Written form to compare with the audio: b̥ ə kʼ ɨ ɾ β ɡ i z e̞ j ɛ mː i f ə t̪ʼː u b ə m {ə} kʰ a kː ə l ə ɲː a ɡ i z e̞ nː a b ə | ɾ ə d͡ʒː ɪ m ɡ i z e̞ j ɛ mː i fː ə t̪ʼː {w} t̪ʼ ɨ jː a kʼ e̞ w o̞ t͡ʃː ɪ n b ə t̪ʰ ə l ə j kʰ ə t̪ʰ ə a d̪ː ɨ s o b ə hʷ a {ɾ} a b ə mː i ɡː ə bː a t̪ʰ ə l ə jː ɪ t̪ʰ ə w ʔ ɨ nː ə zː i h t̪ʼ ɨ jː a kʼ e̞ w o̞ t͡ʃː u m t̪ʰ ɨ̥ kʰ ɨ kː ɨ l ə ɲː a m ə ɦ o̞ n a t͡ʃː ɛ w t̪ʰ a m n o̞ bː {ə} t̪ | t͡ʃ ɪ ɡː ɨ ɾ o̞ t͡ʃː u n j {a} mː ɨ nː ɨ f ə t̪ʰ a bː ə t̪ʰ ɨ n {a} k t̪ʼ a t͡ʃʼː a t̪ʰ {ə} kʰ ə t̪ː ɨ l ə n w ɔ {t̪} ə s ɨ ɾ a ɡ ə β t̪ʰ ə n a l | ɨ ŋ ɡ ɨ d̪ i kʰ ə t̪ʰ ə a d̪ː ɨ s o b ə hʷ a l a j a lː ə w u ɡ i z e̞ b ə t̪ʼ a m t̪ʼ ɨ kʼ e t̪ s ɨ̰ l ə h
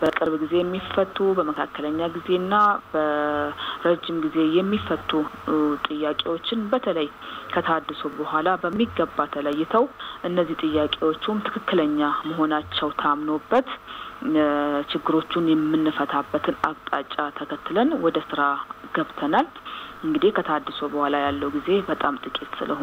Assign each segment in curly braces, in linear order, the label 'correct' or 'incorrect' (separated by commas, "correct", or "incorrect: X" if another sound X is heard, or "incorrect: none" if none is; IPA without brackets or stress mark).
correct, incorrect: u, incorrect: l, correct, incorrect: ɛ, correct, correct, incorrect: d̪